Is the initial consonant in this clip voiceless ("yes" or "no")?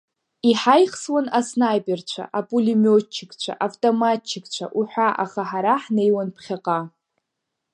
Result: yes